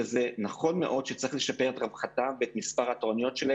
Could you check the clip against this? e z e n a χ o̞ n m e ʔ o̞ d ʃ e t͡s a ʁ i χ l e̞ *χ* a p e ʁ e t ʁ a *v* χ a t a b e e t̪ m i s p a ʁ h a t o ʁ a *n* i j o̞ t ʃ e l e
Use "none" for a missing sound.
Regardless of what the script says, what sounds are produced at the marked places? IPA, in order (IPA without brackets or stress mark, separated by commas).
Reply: ʃ, v, n